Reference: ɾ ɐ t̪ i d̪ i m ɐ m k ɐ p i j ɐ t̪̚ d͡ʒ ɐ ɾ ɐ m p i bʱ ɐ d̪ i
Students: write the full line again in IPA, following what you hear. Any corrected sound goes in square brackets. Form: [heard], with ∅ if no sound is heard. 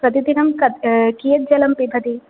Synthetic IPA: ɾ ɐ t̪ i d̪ i [n] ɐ m k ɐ [k] i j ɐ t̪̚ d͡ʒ ɐ [l] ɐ m p i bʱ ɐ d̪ i